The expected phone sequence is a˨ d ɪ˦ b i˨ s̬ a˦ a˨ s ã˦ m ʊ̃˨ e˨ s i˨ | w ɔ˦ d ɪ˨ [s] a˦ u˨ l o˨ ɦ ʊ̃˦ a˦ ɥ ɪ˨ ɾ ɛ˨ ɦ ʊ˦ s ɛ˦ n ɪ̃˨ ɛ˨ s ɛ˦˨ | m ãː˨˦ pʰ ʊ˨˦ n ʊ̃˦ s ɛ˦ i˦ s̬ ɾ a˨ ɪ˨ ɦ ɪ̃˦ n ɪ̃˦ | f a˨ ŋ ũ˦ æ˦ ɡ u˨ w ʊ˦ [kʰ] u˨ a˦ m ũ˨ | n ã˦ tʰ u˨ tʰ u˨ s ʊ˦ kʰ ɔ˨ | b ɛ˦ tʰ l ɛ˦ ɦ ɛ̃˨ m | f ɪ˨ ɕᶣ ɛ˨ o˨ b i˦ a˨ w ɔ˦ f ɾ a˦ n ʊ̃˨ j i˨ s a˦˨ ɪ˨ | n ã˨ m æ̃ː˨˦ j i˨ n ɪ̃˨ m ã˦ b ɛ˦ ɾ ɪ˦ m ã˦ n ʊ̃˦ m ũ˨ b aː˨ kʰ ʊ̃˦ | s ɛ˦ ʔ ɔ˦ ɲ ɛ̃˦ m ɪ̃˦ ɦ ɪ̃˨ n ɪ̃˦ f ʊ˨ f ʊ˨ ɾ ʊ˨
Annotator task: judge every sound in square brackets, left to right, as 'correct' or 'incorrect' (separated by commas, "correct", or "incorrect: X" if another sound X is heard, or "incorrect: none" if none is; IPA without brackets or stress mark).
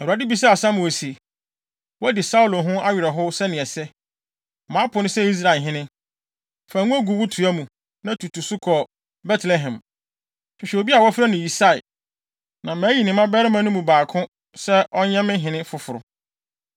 correct, incorrect: tʰ